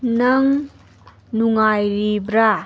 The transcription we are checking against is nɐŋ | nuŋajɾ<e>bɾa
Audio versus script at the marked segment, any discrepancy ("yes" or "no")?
yes